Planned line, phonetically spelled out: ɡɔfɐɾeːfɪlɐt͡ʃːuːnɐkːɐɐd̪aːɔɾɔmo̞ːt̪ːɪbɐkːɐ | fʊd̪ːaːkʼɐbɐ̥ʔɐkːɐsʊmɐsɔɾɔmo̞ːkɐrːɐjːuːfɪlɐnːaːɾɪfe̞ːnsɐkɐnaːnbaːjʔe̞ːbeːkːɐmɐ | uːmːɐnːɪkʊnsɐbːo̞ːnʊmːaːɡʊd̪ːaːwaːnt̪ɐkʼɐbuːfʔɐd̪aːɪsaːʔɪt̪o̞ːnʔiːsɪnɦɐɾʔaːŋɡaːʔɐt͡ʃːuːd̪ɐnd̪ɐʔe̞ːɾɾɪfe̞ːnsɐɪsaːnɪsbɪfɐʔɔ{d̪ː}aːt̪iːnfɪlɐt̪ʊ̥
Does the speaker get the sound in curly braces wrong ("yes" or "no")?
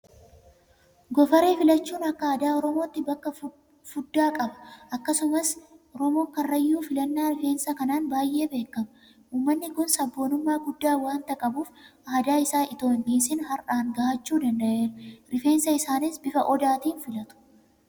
yes